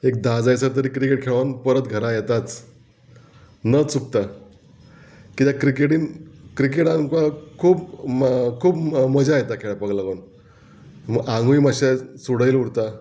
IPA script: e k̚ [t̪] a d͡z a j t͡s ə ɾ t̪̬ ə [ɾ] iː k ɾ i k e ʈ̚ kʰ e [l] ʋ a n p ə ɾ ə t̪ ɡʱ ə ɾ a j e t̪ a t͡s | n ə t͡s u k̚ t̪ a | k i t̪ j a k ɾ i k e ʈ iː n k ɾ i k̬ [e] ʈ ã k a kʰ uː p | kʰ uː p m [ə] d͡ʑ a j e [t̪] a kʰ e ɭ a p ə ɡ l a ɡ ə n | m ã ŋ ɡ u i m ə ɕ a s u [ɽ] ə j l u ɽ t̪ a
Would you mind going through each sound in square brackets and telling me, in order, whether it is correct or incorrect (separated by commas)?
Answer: incorrect, correct, incorrect, correct, correct, correct, correct